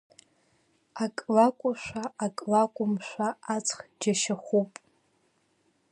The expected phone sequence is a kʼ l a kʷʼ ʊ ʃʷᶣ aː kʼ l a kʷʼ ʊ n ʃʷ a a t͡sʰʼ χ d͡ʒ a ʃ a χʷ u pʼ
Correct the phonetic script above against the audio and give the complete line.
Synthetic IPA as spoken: a kʼ l a kʷʼ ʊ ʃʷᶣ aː kʼ l a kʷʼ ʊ m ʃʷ a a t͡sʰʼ χ d͡ʒ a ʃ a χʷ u pʼ